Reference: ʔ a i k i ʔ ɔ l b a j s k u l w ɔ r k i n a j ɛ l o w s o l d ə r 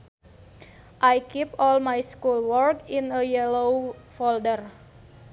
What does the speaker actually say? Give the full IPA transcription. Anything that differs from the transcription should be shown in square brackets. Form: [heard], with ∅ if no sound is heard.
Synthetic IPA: ʔ a [j] k i [p] ɔ l [m] a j s k u l w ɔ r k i n [ə] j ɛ l o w [f] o l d ə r

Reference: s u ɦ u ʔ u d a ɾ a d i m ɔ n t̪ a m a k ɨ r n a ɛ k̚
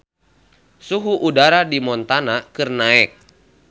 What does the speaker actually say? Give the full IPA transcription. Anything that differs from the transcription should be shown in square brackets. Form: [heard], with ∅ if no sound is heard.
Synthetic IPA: s u ɦ u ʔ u d a ɾ a d i m ɔ n t̪ a [n] a k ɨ r n a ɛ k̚

